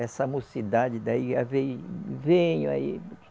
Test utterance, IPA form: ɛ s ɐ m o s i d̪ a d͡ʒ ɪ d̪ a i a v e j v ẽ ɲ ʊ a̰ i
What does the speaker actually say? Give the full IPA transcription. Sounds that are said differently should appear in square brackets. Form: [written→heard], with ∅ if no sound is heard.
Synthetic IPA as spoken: ɛ s ɐ m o s i d̪ a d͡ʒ ɪ d̪ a i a v e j v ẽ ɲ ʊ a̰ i